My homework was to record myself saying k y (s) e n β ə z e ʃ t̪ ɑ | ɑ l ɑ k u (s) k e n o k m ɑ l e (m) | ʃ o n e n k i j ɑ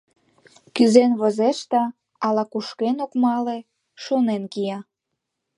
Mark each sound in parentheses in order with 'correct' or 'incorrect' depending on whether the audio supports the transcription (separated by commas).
incorrect, incorrect, incorrect